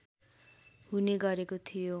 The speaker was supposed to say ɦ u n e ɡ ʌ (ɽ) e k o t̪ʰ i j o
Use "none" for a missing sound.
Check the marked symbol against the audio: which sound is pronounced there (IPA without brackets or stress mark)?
ɾ